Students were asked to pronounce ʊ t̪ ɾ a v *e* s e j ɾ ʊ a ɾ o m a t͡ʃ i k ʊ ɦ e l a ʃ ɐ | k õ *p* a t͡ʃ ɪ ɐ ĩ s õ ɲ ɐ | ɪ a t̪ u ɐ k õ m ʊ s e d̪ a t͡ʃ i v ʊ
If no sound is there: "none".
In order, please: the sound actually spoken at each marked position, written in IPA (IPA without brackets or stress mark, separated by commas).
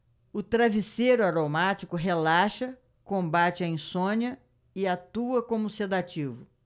i, b